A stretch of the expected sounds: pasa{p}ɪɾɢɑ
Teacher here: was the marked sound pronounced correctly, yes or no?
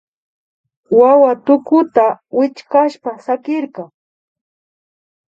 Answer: no